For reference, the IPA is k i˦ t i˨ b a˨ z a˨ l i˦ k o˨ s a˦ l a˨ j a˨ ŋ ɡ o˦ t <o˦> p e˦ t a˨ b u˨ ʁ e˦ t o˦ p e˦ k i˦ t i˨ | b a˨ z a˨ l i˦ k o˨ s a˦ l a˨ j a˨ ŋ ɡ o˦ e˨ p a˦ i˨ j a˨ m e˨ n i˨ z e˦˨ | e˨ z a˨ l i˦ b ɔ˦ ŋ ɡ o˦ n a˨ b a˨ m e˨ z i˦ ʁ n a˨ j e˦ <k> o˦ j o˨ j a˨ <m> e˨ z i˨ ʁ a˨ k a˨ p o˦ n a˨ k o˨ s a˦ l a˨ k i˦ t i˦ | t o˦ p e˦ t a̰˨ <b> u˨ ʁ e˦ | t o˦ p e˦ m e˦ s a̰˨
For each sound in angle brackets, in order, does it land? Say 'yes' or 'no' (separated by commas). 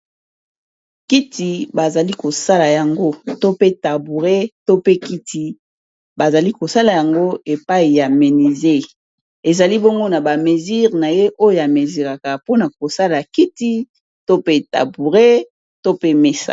yes, no, yes, yes